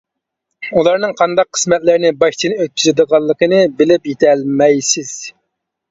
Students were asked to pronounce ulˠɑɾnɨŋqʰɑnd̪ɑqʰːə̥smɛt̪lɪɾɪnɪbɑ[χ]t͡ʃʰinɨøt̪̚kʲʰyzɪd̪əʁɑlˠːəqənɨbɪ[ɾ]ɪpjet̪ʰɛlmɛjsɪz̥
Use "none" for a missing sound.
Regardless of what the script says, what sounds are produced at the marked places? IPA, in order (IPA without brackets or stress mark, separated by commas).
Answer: ʃ, l